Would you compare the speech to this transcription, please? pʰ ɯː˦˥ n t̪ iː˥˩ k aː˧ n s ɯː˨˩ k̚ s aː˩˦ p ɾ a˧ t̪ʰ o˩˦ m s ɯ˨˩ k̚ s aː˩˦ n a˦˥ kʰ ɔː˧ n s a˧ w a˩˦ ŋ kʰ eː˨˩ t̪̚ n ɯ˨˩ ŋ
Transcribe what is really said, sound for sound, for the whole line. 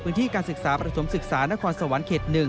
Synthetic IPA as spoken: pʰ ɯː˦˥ n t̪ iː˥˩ k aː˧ n s ɯ˨˩ k̚ s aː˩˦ p ɾ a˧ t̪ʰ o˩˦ m s ɯ˨˩ k̚ s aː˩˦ n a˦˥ kʰ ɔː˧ n s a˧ w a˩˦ n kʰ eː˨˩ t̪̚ n ɯ˨˩ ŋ

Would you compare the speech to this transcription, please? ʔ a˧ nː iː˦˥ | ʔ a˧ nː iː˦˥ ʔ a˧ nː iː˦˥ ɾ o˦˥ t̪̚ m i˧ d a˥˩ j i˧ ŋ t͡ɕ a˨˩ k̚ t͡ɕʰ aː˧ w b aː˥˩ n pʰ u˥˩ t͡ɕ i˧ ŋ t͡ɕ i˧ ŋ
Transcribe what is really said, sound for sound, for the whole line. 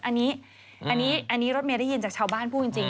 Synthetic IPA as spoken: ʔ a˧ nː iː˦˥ | ʔ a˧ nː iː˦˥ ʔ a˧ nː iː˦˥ ɾ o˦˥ t̪̚ m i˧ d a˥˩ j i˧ n t͡ɕ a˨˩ k̚ t͡ɕʰ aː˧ w b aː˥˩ n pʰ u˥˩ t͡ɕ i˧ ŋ t͡ɕ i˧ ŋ

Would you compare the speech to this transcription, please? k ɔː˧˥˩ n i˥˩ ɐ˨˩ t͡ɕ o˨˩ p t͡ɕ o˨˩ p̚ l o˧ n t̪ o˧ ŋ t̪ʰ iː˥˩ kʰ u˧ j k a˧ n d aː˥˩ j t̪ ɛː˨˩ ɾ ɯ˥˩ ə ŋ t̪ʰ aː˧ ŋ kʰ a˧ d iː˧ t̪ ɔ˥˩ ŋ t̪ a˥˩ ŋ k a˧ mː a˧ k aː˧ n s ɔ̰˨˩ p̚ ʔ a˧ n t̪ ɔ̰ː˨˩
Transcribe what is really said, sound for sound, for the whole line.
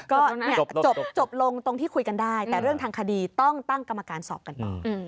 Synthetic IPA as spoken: k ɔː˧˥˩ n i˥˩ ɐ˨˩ t͡ɕ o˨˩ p t͡ɕ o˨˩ p̚ l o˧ ŋ t̪ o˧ ŋ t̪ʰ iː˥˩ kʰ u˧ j k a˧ n d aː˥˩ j t̪ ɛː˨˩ ɾ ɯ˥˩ ə ŋ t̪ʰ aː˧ ŋ kʰ a˧ d iː˧ t̪ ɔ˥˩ ŋ t̪ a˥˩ ŋ k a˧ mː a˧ k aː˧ n s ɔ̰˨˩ p̚ k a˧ n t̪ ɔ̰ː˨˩

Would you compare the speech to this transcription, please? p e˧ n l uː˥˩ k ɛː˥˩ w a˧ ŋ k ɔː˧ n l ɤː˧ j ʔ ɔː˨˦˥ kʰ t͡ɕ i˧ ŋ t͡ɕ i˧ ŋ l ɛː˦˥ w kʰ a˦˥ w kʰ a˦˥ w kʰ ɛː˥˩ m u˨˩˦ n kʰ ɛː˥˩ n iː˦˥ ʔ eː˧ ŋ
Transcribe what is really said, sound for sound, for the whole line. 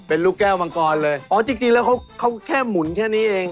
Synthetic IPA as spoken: p e˧ n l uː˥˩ k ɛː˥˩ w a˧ ŋ k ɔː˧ n l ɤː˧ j ʔ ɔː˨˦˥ t͡ɕ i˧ ŋ t͡ɕ i˧ ŋ l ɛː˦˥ w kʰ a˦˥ w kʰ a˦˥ w kʰ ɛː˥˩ m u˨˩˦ n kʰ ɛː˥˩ n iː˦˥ ʔ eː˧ ŋ

